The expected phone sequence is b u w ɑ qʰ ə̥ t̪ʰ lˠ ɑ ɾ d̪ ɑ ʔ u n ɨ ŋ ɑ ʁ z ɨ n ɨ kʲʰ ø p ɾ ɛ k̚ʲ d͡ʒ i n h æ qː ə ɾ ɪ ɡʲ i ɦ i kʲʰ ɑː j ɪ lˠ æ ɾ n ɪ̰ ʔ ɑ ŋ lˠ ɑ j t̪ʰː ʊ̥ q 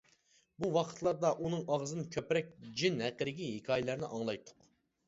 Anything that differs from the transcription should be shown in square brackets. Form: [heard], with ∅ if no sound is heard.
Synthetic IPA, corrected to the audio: b u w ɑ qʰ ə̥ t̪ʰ lˠ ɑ ɾ d̪ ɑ ʔ u n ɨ ŋ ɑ ʁ z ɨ n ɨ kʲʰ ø p ɾ ɛ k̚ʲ d͡ʒ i n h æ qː ə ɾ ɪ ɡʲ i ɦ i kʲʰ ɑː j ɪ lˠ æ ɾ n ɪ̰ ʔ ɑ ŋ lˠ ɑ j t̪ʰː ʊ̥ q